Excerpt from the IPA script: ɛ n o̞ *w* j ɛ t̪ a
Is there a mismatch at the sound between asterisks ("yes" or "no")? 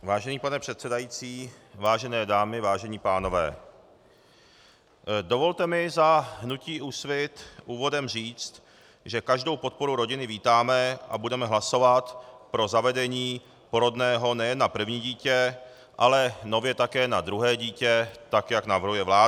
yes